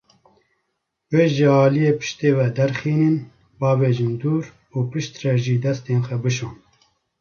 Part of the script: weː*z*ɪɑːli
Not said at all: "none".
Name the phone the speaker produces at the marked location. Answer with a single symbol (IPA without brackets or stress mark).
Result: ʒ